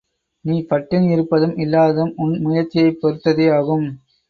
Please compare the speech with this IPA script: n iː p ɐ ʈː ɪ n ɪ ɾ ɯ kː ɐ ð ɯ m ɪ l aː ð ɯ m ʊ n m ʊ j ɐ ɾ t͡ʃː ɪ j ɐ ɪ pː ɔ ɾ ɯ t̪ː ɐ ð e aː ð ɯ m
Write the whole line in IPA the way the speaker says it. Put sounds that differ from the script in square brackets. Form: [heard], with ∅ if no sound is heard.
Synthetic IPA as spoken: n iː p ɐ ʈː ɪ n ɪ ɾ ɯ [pː] ɐ ð ɯ m ɪ [lː] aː ð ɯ m ʊ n m ʊ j ɐ ɾ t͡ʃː ɪ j ɐ ɪ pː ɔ ɾ ɯ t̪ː ɐ ð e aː [ɣ] ɯ m